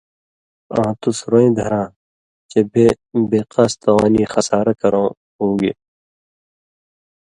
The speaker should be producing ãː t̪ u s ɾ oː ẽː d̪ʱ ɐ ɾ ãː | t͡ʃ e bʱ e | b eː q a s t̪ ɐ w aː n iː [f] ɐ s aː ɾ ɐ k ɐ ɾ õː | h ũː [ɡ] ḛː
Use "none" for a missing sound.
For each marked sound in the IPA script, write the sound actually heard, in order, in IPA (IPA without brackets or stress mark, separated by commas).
x, ɡ